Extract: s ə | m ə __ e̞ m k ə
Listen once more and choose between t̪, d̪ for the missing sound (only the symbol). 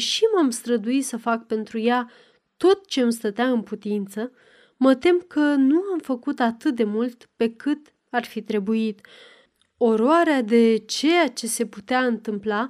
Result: t̪